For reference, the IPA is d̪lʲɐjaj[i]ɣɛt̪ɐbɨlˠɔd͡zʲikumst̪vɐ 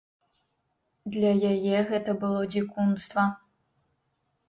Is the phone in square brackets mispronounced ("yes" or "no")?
yes